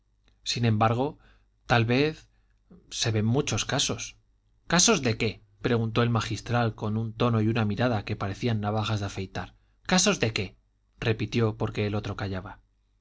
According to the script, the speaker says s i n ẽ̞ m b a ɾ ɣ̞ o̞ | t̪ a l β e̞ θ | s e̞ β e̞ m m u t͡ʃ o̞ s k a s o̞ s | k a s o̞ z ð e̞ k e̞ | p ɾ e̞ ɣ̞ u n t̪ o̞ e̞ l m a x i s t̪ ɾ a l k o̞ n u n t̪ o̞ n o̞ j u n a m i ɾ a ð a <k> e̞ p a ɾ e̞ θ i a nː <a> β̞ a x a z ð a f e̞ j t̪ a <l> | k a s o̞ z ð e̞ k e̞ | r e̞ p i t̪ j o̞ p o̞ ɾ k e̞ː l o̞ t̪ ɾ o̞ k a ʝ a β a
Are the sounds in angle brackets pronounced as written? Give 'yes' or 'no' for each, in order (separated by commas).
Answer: yes, yes, no